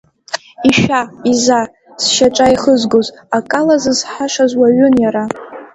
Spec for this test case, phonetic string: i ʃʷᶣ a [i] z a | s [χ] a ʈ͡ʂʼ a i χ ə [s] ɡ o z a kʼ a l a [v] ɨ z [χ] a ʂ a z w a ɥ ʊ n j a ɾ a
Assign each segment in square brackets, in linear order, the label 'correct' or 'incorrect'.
correct, incorrect: ʃ, incorrect: z, incorrect: z, incorrect: ħ

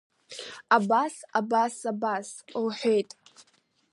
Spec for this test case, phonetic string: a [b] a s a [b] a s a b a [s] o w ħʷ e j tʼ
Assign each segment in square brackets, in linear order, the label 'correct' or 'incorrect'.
correct, correct, correct

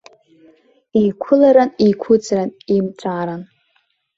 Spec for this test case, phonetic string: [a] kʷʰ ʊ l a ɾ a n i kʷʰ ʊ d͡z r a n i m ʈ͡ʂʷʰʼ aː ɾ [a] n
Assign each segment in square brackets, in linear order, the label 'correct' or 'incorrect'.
incorrect: i, correct

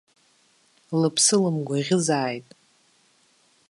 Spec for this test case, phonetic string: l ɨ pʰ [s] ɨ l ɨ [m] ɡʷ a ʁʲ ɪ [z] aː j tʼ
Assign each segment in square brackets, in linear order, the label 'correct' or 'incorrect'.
correct, correct, correct

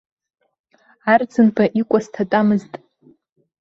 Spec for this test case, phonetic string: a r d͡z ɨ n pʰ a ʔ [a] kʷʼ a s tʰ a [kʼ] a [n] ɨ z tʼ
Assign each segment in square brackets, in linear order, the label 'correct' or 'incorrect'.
incorrect: i, incorrect: tʼ, incorrect: m

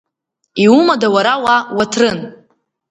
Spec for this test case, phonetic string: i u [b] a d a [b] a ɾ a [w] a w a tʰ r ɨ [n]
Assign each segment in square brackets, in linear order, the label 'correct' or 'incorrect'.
incorrect: m, incorrect: w, correct, correct

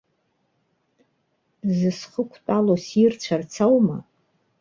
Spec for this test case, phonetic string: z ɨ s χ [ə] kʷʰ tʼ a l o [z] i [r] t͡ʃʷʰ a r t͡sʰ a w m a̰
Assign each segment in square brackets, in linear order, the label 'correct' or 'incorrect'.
correct, incorrect: s, correct

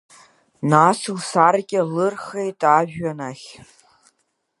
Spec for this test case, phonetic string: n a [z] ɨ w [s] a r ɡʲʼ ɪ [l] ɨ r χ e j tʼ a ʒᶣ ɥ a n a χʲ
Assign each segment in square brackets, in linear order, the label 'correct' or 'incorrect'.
incorrect: s, correct, correct

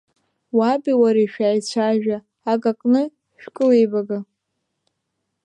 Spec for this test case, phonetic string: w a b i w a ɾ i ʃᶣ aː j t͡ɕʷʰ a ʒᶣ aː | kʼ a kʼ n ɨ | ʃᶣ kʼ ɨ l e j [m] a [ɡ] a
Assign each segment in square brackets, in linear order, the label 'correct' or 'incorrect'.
incorrect: b, correct

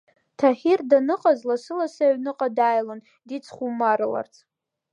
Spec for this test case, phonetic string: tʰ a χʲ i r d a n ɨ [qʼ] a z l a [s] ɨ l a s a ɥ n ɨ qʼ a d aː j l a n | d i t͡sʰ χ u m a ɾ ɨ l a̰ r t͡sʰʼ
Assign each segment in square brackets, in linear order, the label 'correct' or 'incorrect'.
correct, correct

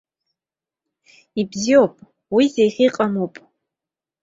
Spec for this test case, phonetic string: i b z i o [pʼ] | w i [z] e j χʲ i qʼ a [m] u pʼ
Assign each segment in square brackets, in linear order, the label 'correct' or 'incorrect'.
correct, correct, correct

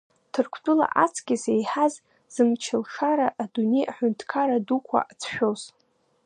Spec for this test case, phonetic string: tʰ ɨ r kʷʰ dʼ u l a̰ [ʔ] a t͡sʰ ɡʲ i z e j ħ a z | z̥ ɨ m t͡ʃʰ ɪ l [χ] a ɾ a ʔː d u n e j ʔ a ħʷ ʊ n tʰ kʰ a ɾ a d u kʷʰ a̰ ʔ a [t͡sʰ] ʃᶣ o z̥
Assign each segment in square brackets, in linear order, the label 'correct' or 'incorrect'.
correct, incorrect: ʂ, correct

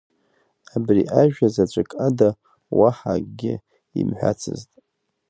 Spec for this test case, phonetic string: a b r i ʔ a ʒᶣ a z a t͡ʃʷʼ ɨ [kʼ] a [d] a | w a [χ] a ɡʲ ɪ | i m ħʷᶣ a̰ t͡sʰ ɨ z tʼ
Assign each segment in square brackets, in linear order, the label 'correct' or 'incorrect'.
correct, correct, incorrect: ħ

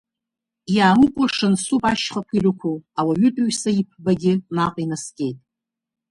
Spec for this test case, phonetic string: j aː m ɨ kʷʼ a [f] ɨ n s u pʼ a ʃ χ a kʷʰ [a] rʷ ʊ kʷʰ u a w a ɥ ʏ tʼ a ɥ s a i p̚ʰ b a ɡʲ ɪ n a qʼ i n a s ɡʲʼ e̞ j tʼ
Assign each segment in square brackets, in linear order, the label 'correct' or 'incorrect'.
incorrect: ʂ, incorrect: i

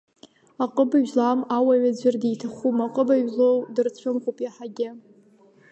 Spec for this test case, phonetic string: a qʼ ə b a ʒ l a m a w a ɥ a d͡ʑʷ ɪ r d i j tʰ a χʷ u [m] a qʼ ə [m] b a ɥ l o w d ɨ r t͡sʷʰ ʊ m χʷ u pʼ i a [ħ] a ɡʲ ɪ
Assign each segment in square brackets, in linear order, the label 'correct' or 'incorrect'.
correct, incorrect: none, correct

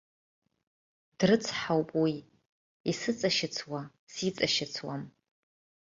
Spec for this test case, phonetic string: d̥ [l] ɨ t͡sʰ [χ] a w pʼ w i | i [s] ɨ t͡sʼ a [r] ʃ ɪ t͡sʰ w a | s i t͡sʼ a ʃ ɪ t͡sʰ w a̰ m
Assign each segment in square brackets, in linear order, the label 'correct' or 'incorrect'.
incorrect: r, incorrect: ħ, correct, incorrect: none

